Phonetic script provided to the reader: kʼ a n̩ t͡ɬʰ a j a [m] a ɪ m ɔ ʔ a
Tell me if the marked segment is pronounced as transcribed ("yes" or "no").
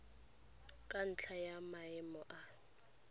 yes